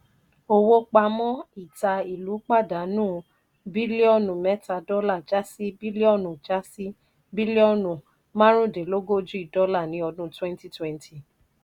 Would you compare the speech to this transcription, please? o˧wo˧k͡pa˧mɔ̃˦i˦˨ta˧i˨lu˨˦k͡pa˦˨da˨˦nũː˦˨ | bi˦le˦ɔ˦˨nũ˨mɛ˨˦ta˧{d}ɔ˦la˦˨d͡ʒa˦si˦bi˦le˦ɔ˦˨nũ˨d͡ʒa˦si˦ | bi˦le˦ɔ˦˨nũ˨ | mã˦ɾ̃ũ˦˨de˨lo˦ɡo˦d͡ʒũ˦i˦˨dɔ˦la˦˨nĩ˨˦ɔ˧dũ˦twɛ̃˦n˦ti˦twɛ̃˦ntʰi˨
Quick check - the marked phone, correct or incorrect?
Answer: correct